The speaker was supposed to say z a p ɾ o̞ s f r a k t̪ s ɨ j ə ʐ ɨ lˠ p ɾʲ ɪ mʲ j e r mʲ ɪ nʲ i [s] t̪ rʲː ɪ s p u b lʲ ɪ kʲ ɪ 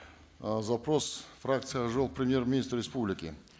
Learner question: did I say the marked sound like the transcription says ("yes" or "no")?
yes